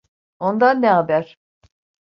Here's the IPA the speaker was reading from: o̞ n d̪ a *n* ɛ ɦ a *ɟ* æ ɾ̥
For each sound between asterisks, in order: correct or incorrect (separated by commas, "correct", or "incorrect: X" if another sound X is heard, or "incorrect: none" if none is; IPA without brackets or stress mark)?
incorrect: nː, incorrect: b